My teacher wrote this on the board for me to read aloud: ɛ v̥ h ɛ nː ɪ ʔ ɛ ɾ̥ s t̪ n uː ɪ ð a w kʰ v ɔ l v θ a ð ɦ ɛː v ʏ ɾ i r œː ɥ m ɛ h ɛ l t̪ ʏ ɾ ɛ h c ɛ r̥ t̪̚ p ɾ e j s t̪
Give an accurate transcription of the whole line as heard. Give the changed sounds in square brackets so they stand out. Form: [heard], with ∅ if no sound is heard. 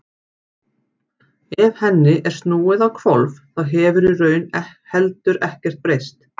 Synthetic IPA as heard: ɛ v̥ h ɛ nː ɪ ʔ ɛ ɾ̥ s t̪ n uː ɪ ð a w kʰ v ɔ l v θ a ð ɦ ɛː v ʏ ɾ i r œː ɥ [n] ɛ h ɛ l t̪ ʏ ɾ ɛ h c ɛ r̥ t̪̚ p ɾ e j s t̪